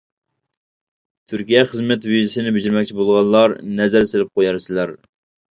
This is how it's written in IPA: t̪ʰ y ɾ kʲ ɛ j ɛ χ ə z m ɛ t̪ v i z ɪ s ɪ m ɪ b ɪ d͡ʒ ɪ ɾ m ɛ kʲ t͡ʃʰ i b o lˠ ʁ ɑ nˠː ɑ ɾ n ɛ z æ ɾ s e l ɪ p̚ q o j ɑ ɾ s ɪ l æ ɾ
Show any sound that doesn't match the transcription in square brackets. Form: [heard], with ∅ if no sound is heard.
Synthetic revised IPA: t̪ʰ y ɾ kʲ [i] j ɛ χ ə z m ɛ t̪ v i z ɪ s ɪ [n] ɪ b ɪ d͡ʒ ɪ ɾ m ɛ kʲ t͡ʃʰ i b o lˠ ʁ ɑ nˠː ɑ ɾ n ɛ z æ ɾ s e l ɪ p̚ q o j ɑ ɾ s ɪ l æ ɾ